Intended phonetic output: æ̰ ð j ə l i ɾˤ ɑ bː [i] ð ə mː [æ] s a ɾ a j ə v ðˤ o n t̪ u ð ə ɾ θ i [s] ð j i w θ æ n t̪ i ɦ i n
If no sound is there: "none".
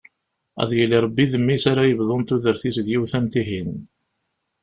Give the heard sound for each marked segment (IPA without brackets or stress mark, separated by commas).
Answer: i, i, s